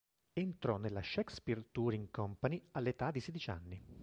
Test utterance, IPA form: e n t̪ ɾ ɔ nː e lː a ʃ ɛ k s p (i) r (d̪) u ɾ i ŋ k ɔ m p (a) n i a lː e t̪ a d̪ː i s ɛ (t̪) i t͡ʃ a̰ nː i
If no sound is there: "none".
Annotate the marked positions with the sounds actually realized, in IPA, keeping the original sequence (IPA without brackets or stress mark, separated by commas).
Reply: i, t̪, a, d̪